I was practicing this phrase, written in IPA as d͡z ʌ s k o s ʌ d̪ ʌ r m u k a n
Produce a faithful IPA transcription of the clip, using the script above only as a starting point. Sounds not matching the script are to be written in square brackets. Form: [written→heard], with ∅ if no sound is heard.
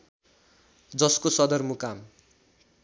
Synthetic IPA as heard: d͡z ʌ s k o s ʌ d̪ ʌ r m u k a [n→m]